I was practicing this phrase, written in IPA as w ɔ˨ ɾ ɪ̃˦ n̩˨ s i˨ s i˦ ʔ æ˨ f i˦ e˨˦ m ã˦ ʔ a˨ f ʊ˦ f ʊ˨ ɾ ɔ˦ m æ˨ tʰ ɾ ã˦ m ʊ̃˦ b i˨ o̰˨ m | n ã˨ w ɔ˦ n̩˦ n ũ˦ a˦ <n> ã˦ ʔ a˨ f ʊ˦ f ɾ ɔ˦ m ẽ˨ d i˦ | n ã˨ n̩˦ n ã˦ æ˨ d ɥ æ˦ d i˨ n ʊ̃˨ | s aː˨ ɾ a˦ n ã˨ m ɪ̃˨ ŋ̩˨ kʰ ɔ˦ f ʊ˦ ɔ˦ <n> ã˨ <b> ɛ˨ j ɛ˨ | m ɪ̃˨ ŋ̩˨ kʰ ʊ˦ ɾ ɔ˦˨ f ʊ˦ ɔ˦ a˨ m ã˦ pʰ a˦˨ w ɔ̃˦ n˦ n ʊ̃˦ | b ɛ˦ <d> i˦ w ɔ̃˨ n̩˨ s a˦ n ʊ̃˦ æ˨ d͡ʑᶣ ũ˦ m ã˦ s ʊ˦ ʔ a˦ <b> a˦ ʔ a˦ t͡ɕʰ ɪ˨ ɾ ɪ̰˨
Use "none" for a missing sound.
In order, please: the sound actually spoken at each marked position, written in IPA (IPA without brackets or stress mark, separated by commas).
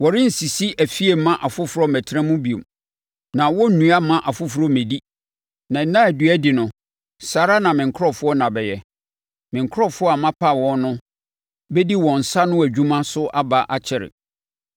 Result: m, n, b, d, b